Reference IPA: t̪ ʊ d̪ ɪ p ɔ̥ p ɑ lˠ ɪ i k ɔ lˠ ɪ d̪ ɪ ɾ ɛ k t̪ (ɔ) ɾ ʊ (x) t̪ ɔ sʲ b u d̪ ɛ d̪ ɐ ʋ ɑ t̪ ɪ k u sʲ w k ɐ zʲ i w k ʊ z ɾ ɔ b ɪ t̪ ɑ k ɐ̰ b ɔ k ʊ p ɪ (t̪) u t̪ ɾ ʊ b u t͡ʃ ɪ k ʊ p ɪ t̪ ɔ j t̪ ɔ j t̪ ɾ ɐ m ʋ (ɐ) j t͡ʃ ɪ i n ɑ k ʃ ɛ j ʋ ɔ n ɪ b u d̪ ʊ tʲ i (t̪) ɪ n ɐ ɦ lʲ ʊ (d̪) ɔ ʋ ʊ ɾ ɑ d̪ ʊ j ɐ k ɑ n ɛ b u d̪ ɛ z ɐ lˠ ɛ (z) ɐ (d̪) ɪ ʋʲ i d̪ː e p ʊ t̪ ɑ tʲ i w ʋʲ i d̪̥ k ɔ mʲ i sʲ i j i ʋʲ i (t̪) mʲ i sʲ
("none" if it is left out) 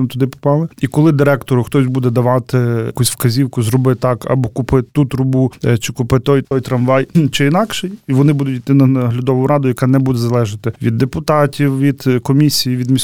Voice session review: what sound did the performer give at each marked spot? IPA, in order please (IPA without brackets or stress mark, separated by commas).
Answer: ɔ, x, t̪, ɑ, t̪, d̪, ʒ, t̪, d̪